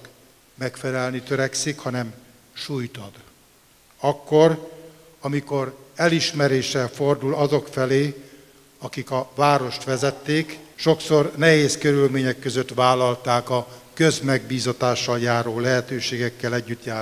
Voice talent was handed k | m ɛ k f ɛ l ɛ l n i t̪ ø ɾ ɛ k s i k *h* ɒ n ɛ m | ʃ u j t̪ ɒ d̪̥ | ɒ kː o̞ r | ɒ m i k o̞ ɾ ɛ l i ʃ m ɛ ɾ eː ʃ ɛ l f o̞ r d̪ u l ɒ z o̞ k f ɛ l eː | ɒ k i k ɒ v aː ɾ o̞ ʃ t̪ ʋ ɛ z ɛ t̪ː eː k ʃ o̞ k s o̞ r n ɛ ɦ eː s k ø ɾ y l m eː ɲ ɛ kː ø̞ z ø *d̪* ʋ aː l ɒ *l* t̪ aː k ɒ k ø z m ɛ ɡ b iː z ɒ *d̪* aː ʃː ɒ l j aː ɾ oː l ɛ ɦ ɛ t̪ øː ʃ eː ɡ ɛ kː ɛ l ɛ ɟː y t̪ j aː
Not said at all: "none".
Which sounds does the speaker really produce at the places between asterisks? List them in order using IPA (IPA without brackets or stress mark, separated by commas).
h, t̪, l, t̪